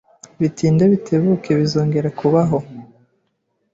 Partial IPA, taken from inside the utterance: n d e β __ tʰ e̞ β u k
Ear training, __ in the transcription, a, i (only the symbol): i